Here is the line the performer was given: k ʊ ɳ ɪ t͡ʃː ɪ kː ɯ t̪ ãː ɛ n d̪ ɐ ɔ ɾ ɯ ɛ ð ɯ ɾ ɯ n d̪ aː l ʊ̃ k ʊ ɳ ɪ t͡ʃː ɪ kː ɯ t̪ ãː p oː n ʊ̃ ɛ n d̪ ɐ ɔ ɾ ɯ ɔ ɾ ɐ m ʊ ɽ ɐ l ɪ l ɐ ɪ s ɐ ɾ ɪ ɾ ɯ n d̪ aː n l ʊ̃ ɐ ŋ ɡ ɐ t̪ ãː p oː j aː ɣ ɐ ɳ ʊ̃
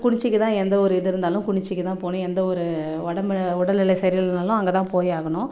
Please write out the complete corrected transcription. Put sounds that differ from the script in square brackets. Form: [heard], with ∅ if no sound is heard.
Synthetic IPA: k ʊ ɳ ɪ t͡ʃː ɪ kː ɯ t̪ ãː ɛ n d̪ ɐ ɔ ɾ ɯ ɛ ð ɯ ɾ ɯ n d̪ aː l ʊ̃ k ʊ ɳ ɪ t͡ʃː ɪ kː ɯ t̪ ãː p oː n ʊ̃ ɛ n d̪ ɐ ɔ ɾ ɯ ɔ [ɽ] ɐ m ʊ ɽ ɐ l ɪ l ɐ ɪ s ɐ ɾ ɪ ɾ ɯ n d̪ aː [∅] l ʊ̃ ɐ ŋ ɡ ɐ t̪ ãː p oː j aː ɣ ɐ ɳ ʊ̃